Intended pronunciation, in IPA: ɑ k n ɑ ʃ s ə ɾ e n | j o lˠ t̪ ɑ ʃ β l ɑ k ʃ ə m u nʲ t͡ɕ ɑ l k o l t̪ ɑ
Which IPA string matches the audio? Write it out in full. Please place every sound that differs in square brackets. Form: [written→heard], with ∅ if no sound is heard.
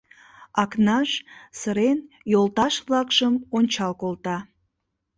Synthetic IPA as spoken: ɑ k n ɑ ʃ s ə ɾ e n | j o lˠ t̪ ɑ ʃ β l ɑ k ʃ ə m [u→o] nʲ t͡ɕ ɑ l k o l t̪ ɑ